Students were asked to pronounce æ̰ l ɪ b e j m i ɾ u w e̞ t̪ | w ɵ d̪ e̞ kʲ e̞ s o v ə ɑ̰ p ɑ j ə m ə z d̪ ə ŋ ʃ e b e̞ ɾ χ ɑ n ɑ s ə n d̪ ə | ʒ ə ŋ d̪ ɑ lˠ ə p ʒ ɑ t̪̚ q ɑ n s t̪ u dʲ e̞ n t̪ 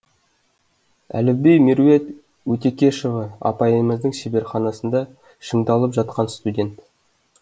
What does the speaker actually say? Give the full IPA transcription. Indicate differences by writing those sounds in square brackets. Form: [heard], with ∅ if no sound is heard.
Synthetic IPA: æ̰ l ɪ b e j m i ɾ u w e̞ t̪ | w ɵ [t̪] e̞ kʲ e̞ [ʃ] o v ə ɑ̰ p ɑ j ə m ə z d̪ ə ŋ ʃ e b e̞ ɾ χ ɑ n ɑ s ə n d̪ [ɑ] | [ʃ] ə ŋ d̪ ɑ lˠ ə p ʒ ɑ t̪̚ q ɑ n s t̪ u dʲ e̞ n t̪

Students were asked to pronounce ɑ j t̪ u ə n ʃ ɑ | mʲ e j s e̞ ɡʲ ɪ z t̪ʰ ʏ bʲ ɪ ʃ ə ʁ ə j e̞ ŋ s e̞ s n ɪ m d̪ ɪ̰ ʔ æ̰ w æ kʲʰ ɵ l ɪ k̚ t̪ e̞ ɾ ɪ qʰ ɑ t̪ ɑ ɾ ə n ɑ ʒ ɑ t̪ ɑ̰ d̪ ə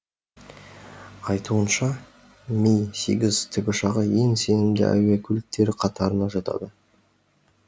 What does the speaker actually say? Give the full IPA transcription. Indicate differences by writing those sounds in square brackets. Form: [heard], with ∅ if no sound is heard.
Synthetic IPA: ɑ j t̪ u ə n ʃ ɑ | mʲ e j s e̞ ɡʲ ɪ z t̪ʰ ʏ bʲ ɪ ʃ [ɑ] ʁ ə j e̞ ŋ s e̞ [∅] n ɪ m d̪ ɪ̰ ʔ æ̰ w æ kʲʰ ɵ l ɪ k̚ t̪ e̞ ɾ ɪ qʰ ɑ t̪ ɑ ɾ ə n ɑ ʒ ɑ t̪ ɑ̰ d̪ ə

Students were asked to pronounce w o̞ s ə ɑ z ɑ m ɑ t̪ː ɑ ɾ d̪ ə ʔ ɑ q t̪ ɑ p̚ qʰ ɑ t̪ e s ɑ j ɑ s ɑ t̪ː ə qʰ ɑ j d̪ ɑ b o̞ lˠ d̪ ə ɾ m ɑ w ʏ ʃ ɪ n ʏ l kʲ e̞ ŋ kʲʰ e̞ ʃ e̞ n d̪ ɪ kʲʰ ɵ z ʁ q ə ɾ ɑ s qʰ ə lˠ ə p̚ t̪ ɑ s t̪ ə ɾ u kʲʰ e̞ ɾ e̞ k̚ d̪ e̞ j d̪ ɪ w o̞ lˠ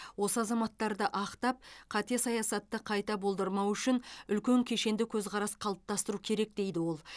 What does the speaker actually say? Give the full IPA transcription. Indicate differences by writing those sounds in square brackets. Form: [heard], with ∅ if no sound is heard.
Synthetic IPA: w o̞ s ə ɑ z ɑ m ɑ t̪ː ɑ ɾ d̪ ə ʔ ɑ q t̪ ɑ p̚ qʰ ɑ t̪ e s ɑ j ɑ s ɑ t̪ː ə qʰ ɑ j [t̪] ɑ b o̞ lˠ d̪ ə ɾ m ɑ w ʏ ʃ ɪ n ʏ l kʲ e̞ ŋ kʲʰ e̞ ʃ e̞ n d̪ ɪ kʲʰ ɵ z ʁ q [ɑ] ɾ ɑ s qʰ [ɑ] lˠ ə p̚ t̪ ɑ s t̪ ə ɾ u kʲʰ e̞ ɾ e̞ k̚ d̪ e̞ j d̪ ɪ w o̞ lˠ

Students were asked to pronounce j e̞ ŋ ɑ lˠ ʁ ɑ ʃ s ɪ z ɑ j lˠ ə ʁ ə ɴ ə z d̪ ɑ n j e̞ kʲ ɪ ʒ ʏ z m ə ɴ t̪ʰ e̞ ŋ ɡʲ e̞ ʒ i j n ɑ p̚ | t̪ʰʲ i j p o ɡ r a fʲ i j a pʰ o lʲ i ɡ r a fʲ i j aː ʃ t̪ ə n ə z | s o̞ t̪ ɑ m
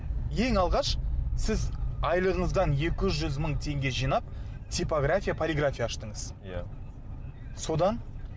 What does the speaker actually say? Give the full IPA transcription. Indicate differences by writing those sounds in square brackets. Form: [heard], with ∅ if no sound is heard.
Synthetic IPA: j e̞ ŋ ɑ lˠ ʁ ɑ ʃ s ɪ z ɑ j lˠ ə ʁ ə ɴ ə z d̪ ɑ n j e̞ kʲ ɪ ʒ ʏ z m ə ɴ t̪ʰ e̞ ŋ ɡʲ e̞ ʒ i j n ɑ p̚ | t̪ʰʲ i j p o ɡ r a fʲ i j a pʰ o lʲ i ɡ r a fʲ i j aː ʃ t̪ ə [ɴ] ə z | s o̞ [d̪] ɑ [n]

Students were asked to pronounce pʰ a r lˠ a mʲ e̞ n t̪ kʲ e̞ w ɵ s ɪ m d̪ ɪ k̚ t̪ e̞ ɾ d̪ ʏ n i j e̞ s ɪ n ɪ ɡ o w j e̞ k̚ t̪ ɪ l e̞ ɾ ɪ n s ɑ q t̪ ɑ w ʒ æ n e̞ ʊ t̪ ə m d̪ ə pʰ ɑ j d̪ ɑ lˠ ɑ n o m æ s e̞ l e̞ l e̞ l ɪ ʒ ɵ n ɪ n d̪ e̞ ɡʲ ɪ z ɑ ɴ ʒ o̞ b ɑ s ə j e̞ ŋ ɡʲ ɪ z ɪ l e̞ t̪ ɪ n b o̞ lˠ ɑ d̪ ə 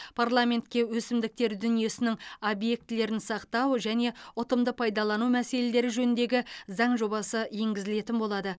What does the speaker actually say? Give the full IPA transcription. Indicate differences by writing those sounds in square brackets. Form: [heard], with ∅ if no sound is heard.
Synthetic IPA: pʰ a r lˠ a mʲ e̞ n t̪ kʲ e̞ w ɵ s ɪ m d̪ ɪ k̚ t̪ e̞ ɾ d̪ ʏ n i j e̞ s ɪ n ɪ [ŋ] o [b] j e̞ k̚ t̪ ɪ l e̞ ɾ ɪ n s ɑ q t̪ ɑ w ʒ æ n e̞ ʊ t̪ ə m d̪ ə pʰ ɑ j d̪ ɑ lˠ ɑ n [u] m æ s e̞ l e̞ l e̞ [ɾ] ɪ ʒ ɵ n ɪ n d̪ e̞ ɡʲ ɪ z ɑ ɴ ʒ o̞ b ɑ s ə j e̞ ŋ ɡʲ ɪ z ɪ l e̞ t̪ ɪ n b o̞ lˠ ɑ d̪ ə

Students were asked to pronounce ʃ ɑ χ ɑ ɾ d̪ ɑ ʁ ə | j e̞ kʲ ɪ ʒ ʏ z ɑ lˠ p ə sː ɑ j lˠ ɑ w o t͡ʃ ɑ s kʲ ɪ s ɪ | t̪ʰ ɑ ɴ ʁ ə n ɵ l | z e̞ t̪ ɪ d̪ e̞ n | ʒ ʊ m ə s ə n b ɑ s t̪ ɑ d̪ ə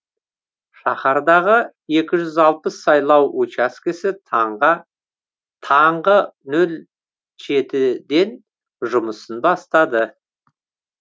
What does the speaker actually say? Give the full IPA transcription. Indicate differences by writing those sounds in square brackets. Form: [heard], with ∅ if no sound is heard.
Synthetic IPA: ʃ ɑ χ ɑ ɾ d̪ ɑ ʁ ə | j e̞ kʲ ɪ ʒ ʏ z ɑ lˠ p ə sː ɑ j lˠ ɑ w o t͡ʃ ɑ s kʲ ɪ s ɪ | t̪ʰ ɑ ɴ ʁ ə n ɵ l | [ʒ] e̞ t̪ ɪ d̪ e̞ n | ʒ ʊ m ə s ə n b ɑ s t̪ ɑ d̪ ə

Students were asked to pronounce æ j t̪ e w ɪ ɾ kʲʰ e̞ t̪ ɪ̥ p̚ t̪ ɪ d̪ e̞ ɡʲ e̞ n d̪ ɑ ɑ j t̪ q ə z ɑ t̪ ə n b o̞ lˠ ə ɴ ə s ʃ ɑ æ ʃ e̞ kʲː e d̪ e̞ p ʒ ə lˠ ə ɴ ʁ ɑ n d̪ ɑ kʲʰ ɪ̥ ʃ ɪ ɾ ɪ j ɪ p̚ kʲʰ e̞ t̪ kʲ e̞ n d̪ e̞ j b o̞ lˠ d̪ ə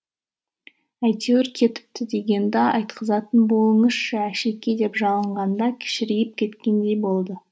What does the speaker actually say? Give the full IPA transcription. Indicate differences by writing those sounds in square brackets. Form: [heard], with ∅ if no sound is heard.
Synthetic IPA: æ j t̪ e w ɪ ɾ kʲʰ e̞ t̪ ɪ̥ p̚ t̪ ɪ d̪ e̞ ɡʲ e̞ n d̪ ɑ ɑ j t̪ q ə z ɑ t̪ ə n b o̞ lˠ ə ɴ ə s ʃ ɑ æ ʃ e̞ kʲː e d̪ e̞ p ʒ [ɑ] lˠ ə ɴ ʁ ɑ n d̪ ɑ kʲʰ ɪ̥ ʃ ɪ ɾ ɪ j ɪ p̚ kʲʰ e̞ t̪ kʲ e̞ n d̪ e̞ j b o̞ lˠ d̪ ə

